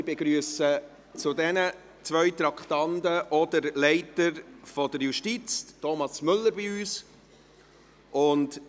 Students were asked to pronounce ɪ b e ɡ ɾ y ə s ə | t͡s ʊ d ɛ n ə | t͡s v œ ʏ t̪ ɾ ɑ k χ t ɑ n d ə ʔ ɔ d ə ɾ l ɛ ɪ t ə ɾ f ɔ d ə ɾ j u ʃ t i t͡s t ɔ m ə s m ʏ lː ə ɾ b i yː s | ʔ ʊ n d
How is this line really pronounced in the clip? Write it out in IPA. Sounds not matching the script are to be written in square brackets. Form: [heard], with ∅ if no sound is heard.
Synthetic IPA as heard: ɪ b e ɡ ɾ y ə s ə | t͡s ʊ d ɛ n ə | t͡s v œ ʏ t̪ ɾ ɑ k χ t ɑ n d ə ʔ ɔ d ə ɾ l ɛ ɪ t ə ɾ f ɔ d ə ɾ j u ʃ t i t͡s t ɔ m [ɑ] s m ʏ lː ə ɾ b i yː s | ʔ ʊ n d